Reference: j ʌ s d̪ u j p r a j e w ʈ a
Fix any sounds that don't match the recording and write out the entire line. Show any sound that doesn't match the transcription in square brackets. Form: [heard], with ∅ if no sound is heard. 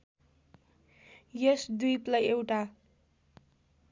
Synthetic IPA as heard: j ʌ s d̪ u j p [l] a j e w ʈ a